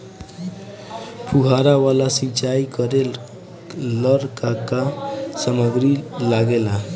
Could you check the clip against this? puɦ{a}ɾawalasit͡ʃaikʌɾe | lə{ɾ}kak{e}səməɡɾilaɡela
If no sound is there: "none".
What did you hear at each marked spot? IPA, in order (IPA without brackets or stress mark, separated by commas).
a, ɾ, a